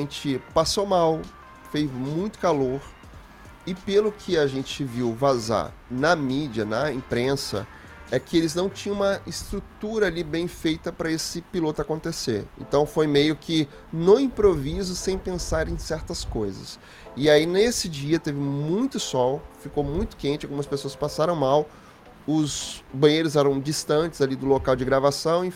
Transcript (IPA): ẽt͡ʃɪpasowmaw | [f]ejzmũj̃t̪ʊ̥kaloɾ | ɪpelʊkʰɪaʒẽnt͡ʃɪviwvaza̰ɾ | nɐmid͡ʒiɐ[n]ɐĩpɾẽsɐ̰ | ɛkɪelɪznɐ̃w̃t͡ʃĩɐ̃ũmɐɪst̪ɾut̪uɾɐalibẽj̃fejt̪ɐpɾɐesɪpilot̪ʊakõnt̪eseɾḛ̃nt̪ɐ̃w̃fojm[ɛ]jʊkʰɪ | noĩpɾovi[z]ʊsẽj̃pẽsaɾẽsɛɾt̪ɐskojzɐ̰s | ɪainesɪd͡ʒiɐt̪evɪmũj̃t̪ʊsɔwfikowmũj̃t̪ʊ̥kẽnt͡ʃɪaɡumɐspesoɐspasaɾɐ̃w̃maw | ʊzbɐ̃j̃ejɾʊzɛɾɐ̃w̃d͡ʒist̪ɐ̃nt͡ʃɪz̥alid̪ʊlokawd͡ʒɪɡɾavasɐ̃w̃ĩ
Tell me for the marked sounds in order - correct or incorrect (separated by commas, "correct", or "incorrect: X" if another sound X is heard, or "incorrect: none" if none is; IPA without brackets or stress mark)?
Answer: correct, correct, incorrect: e, correct